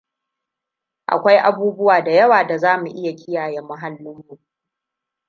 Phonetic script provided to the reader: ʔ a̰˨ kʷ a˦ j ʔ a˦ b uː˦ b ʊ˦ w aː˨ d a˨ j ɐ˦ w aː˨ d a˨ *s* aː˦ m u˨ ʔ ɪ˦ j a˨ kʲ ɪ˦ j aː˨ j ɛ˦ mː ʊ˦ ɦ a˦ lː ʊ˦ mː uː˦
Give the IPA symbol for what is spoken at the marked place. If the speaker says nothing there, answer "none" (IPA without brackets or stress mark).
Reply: z